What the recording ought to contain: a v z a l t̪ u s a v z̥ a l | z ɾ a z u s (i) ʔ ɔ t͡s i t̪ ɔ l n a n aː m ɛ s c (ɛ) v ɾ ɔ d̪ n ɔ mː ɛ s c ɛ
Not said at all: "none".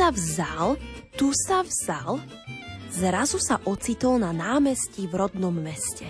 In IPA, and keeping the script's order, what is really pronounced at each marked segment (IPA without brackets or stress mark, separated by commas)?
a, i